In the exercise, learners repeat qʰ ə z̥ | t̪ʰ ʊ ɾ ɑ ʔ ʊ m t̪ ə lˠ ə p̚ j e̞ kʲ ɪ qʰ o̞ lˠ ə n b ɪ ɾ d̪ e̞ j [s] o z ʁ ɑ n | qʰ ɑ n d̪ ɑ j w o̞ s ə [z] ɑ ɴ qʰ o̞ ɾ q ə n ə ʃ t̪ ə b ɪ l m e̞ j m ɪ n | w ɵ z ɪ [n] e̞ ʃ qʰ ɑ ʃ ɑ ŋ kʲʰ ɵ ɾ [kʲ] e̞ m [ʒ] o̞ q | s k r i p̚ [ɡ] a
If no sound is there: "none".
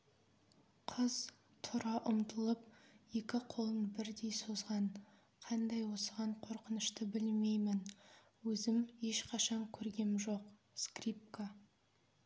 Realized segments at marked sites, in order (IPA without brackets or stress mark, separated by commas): s, ʁ, m, ɡʲ, ʒ, k